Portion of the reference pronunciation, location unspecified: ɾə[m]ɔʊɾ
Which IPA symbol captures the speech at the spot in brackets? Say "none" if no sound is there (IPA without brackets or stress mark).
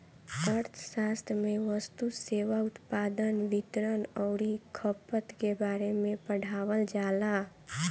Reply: n